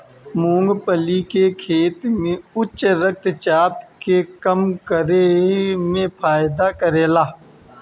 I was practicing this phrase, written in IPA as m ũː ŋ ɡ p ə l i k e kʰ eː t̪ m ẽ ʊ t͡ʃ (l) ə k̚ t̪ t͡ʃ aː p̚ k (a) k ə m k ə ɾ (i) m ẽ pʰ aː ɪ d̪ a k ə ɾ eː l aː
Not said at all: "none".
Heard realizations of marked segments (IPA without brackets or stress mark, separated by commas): ɾ, e, e